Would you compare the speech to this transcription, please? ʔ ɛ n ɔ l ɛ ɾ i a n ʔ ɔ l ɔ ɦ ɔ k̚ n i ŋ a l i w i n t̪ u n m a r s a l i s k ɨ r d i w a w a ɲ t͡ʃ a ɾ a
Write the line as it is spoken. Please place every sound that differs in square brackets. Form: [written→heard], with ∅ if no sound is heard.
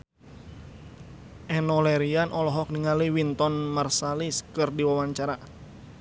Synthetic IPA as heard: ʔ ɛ n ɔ l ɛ ɾ i a n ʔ ɔ l ɔ ɦ ɔ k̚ n i ŋ a l i w i n t̪ [u→ɔ] n m a r s a l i s k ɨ r d i w a w a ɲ t͡ʃ a ɾ a